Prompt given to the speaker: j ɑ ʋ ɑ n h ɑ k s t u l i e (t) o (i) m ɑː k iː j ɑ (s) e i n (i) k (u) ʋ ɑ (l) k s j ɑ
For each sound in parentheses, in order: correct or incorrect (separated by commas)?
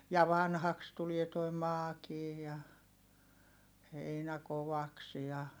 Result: correct, correct, incorrect, incorrect, incorrect, incorrect